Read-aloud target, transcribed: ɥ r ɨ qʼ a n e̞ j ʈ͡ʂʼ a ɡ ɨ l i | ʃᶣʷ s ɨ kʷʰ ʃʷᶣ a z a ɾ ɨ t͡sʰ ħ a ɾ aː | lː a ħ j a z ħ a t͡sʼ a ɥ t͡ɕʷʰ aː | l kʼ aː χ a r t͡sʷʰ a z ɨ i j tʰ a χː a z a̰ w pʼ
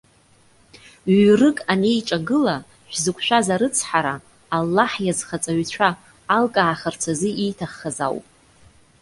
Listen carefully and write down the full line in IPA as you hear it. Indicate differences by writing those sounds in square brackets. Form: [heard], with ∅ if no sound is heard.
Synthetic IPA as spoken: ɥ r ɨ [kʼ] a n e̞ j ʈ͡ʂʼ a ɡ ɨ l [a] | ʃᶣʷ [z] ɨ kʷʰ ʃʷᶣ a z a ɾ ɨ t͡sʰ ħ a ɾ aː | lː a ħ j a z [χ] a t͡sʼ a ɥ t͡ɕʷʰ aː | l kʼ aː χ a r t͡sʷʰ a z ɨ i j tʰ a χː a z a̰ w pʼ